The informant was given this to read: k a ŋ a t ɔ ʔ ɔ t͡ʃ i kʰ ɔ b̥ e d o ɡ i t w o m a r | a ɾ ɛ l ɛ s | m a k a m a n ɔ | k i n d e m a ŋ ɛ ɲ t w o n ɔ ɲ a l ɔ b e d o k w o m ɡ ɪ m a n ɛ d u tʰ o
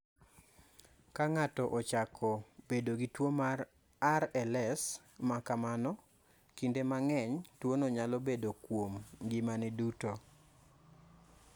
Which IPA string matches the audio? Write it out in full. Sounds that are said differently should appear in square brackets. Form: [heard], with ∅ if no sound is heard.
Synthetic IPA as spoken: k a ŋ a t ɔ ʔ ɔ t͡ʃ [a] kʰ ɔ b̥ e d o ɡ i t w o m a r | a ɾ ɛ l ɛ s | m a k a m a n ɔ | k i n d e m a ŋ ɛ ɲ t w o n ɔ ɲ a l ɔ b e d o k w o m ɡ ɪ m a n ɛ d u [t] o